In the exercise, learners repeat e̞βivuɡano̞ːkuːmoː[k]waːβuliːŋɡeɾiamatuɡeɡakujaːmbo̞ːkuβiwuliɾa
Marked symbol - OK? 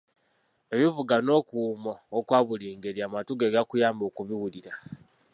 yes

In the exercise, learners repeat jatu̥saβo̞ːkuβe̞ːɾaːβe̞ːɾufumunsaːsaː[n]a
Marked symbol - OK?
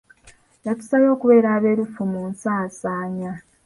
no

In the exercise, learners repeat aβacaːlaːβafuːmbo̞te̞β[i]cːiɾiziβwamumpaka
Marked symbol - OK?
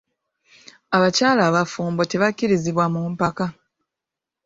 no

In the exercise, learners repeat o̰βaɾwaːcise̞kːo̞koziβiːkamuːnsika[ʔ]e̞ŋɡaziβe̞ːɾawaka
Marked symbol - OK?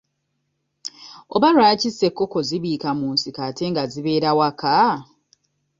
no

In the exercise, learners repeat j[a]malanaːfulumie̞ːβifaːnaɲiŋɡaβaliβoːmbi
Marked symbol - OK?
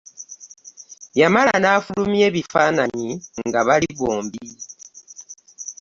yes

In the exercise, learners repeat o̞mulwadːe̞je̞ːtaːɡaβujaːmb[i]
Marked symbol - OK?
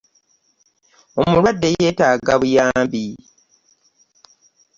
yes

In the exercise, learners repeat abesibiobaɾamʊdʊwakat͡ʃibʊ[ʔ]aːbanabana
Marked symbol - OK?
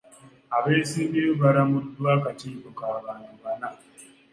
no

